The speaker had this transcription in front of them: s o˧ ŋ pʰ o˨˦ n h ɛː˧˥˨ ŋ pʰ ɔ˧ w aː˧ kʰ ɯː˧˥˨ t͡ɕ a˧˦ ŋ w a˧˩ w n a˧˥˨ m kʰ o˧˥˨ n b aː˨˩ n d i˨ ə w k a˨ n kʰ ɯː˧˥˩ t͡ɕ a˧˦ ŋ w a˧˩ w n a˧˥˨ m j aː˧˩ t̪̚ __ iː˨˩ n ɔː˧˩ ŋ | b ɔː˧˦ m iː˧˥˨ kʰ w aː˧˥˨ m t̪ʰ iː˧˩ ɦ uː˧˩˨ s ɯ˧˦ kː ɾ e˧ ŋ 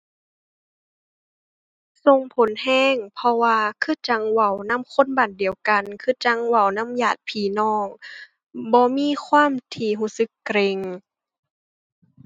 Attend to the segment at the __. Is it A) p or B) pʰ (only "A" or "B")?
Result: B